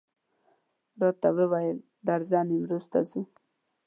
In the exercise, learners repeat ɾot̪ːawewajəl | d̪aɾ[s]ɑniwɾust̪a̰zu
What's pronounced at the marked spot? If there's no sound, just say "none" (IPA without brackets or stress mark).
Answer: z